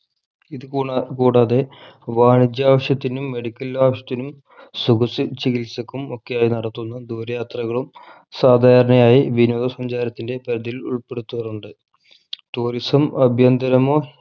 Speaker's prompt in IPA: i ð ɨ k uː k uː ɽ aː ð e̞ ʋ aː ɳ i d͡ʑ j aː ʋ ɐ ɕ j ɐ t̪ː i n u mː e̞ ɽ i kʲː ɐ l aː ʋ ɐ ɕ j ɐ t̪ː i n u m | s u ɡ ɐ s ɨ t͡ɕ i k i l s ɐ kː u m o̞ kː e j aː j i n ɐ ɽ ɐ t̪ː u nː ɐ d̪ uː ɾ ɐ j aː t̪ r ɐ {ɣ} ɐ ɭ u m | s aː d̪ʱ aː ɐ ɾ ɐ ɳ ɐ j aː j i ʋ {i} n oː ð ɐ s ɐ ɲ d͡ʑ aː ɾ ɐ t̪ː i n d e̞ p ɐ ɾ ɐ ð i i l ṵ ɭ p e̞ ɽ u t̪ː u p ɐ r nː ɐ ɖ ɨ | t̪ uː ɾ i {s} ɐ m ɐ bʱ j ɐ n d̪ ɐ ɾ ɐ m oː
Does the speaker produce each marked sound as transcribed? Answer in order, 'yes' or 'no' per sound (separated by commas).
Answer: yes, yes, yes